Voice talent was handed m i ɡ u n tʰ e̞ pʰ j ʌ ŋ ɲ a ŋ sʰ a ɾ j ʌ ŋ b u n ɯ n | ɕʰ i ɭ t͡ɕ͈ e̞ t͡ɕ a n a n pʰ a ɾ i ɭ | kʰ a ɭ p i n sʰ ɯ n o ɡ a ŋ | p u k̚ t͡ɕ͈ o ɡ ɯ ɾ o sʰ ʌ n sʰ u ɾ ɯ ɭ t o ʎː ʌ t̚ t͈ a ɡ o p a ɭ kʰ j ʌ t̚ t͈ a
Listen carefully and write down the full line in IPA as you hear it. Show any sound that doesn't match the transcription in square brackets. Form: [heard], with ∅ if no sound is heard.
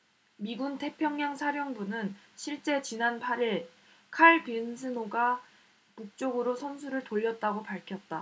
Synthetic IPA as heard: m i ɡ u n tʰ e̞ pʰ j ʌ ŋ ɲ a ŋ sʰ a ɾ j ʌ ŋ b u n ɯ n | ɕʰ i ɭ t͡ɕ͈ e̞ t͡ɕ [i] n a n pʰ a ɾ i ɭ | kʰ a ɭ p i n sʰ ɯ n o ɡ a [∅] | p u k̚ t͡ɕ͈ o ɡ ɯ ɾ o sʰ ʌ n sʰ u ɾ ɯ ɭ t o ʎː ʌ t̚ t͈ a ɡ o p a ɭ kʰ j ʌ t̚ t͈ a

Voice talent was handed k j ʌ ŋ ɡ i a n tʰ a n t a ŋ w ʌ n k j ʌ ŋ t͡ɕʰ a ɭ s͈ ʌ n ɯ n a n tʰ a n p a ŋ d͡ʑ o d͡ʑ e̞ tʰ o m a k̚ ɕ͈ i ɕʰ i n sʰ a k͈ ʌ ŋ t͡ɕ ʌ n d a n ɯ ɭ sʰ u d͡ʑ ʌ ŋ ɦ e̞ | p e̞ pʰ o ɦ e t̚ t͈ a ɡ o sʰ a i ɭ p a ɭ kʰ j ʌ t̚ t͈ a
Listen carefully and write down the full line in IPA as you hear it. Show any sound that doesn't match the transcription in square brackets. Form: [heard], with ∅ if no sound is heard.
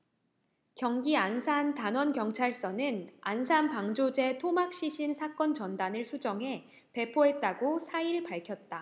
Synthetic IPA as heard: k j ʌ ŋ ɡ i a n [sʰ] a n t a [n] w ʌ n k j ʌ ŋ t͡ɕʰ a ɭ s͈ ʌ n ɯ n a n [sʰ] a n p a ŋ d͡ʑ o d͡ʑ e̞ tʰ o m a k̚ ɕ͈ i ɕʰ i n sʰ a k͈ ʌ [n] t͡ɕ ʌ n d a n ɯ ɭ sʰ u d͡ʑ ʌ ŋ ɦ e̞ | p e̞ pʰ o ɦ e t̚ t͈ a ɡ o sʰ a i ɭ p a ɭ kʰ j ʌ t̚ t͈ a

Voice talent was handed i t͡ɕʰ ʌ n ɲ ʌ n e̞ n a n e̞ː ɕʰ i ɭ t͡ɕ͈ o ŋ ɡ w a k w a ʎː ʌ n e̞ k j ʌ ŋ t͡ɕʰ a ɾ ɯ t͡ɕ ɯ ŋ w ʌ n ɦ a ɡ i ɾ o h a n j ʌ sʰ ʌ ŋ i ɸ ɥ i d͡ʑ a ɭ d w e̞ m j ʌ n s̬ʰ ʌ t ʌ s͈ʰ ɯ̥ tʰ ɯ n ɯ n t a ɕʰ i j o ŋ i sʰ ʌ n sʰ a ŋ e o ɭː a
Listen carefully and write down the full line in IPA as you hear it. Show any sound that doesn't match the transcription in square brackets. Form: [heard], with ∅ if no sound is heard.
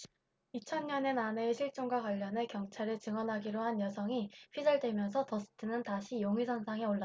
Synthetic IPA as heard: i t͡ɕʰ ʌ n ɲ ʌ n e̞ n a n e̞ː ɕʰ i ɭ t͡ɕ͈ o ŋ ɡ w a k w a ʎː ʌ n e̞ k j ʌ ŋ t͡ɕʰ a ɾ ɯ t͡ɕ ɯ ŋ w ʌ n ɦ a ɡ i ɾ o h a n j ʌ sʰ ʌ ŋ i ɸ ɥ i d͡ʑ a ɭ d w e̞ m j ʌ n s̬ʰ ʌ t ʌ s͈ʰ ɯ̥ tʰ ɯ n ɯ n t a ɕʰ i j o ŋ i sʰ ʌ n sʰ a ŋ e o ɭː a

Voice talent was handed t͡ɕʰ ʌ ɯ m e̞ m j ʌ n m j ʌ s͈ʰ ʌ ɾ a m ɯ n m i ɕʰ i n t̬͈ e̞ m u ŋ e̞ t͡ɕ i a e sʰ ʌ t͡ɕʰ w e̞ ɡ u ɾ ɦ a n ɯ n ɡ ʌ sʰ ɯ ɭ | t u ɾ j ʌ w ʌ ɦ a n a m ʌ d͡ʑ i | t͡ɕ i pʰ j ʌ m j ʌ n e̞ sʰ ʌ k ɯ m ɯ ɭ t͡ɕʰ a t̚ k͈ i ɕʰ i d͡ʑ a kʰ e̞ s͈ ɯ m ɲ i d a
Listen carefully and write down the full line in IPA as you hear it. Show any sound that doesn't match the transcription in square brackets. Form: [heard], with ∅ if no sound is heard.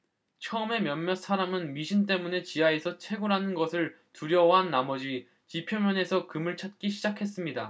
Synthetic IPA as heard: t͡ɕʰ ʌ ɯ m e̞ m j ʌ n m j ʌ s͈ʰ [a] ɾ a m ɯ n m i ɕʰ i n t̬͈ e̞ m u [n] e̞ t͡ɕ i a e sʰ ʌ t͡ɕʰ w e̞ ɡ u ɾ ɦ a n ɯ n ɡ ʌ sʰ ɯ ɭ | t u ɾ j ʌ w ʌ ɦ a [nː] a m ʌ d͡ʑ i | t͡ɕ i pʰ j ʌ m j ʌ n e̞ sʰ ʌ k ɯ m ɯ ɭ t͡ɕʰ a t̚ k͈ i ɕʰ i d͡ʑ a kʰ e̞ s͈ ɯ m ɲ i d a

